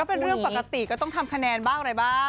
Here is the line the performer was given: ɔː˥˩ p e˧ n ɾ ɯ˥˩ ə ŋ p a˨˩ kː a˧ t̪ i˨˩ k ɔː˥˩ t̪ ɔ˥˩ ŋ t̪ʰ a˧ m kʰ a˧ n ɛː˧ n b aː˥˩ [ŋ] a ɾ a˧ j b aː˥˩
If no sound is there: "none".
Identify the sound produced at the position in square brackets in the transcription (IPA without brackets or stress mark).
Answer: ŋ